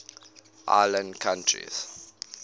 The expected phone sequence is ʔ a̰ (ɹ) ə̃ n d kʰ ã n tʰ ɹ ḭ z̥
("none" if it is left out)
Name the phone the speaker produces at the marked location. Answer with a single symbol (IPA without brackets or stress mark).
l